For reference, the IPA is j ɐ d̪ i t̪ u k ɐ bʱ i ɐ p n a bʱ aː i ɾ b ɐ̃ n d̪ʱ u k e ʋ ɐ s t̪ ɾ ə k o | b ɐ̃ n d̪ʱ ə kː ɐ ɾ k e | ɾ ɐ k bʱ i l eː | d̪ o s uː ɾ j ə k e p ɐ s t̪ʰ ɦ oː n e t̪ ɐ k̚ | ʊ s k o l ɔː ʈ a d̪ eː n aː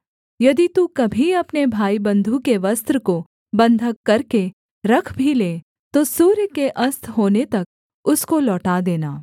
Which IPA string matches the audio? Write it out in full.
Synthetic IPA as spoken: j ɐ d̪ i t̪ u k ɐ bʱ i ɐ p n e bʱ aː i b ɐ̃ n d̪ʱ u k e ʋ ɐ s t̪ ɾ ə k o | b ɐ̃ n d̪ʱ ə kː ɐ ɾ k e | ɾ ɐ kʰ bʱ i l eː | t̪ o s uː ɾ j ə k e ʔ ɐ s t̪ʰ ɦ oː n e t̪ ɐ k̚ | ʊ s k o l ɔː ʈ a d̪ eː n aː